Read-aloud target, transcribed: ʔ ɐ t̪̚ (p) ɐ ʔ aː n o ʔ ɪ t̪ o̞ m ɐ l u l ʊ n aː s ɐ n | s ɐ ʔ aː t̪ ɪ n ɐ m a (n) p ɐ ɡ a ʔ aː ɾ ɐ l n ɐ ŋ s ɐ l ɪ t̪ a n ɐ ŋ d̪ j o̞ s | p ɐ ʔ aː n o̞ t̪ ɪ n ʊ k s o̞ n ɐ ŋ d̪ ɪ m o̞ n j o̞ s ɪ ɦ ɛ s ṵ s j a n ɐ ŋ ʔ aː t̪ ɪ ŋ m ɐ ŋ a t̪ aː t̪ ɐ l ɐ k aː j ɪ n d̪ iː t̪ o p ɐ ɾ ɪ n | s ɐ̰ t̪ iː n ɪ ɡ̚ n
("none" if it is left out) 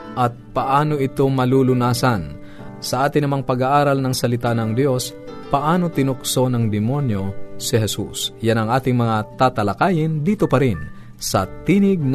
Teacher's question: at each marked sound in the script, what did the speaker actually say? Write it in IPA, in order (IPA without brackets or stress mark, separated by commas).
p, ŋ